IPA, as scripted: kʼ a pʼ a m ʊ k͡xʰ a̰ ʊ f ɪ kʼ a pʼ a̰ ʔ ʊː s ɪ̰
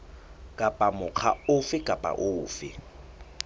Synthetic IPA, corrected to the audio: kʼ a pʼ a m ʊ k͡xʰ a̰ ʊ f ɪ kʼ a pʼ a̰ ʔ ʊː f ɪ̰